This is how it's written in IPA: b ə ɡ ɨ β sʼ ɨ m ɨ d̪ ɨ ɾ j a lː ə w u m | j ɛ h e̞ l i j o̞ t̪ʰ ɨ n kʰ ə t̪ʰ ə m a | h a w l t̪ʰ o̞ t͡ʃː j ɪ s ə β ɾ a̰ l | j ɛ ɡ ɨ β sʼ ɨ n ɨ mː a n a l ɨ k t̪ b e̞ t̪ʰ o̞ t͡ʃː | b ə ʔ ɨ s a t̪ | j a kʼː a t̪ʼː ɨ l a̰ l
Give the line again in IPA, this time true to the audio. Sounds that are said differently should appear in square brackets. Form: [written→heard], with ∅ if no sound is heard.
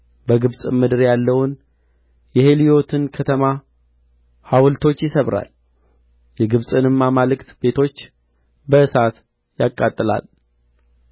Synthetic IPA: b ə ɡ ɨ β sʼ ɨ m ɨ d̪ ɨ ɾ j a lː ə w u [m→n] | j ɛ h e̞ l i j o̞ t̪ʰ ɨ n kʰ ə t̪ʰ ə m a | h a w l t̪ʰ o̞ t͡ʃː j ɪ s ə β ɾ a̰ l | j ɛ ɡ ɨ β sʼ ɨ n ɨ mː a [n→m] a l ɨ k t̪ b e̞ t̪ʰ o̞ t͡ʃː | b ə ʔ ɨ s a t̪ | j a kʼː a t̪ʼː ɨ l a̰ l